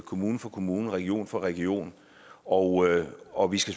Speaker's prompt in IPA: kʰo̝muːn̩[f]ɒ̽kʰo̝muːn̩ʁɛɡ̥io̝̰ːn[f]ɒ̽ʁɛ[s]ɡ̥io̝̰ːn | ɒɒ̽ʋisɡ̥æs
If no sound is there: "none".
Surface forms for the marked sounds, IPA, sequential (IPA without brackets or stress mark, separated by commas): f, f, none